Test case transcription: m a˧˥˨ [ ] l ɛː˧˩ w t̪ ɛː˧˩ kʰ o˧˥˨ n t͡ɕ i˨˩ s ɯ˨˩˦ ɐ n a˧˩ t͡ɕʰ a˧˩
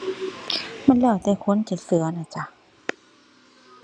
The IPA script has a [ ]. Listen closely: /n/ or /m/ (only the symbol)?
n